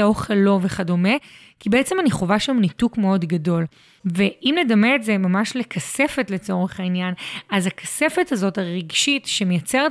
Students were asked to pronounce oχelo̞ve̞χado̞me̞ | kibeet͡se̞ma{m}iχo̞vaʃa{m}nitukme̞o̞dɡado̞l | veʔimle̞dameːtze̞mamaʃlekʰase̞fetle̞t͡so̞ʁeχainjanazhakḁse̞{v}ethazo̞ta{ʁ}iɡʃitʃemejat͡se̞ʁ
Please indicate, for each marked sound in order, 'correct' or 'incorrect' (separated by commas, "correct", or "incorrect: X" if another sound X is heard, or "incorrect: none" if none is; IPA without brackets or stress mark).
incorrect: n, correct, incorrect: f, correct